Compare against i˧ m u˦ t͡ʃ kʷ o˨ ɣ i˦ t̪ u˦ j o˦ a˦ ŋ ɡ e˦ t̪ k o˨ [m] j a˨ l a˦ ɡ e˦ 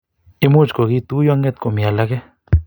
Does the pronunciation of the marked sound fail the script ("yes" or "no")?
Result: no